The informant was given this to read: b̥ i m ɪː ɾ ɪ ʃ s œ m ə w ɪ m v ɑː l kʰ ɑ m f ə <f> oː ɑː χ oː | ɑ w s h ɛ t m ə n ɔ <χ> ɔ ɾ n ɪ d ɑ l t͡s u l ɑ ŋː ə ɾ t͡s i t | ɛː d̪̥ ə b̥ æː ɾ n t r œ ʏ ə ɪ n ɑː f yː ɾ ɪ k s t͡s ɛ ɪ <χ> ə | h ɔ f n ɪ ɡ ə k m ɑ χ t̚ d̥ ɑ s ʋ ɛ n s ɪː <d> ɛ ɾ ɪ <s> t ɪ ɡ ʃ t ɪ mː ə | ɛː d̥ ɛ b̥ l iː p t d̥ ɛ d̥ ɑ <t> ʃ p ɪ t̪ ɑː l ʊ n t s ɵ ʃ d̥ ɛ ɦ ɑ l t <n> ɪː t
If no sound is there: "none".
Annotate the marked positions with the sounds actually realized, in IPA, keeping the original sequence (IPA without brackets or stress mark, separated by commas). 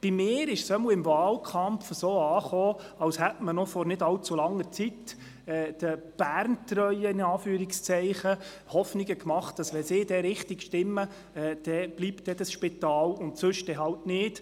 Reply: s, f, χ, d, χ, s, n